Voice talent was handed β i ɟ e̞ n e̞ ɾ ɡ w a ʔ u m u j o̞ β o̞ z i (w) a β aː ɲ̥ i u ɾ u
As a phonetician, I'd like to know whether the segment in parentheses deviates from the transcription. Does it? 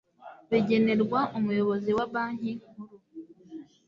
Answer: no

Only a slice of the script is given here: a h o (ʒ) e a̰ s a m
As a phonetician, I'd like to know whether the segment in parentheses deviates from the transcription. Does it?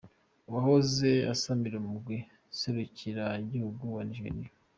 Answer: yes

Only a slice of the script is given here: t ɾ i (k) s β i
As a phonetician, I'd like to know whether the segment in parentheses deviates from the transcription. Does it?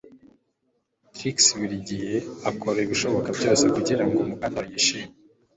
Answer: no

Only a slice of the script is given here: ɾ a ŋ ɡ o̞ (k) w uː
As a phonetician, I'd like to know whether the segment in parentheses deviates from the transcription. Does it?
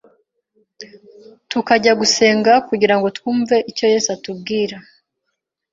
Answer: yes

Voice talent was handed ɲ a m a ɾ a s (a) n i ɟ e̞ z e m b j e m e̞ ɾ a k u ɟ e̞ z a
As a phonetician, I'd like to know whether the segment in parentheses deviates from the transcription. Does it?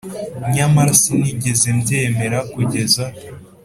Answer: yes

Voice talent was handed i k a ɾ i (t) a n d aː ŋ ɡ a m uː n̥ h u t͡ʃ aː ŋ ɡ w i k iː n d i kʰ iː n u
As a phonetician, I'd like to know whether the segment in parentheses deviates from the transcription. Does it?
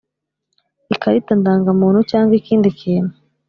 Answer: no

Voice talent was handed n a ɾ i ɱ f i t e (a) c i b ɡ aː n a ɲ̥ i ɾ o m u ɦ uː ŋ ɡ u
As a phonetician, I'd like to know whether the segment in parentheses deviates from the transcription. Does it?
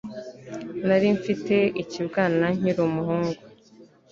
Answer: yes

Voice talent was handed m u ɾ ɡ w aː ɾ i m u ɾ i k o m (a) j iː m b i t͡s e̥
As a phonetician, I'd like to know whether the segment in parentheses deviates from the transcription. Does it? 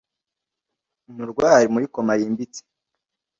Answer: no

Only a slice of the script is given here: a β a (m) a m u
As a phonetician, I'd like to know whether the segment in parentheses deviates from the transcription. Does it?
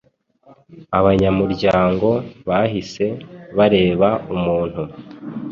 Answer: yes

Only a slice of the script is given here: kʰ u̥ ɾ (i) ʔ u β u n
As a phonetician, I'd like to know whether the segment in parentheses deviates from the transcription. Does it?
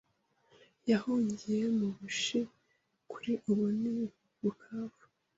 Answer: no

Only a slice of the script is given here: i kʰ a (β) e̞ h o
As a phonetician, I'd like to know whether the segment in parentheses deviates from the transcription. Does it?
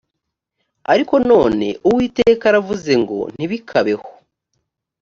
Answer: no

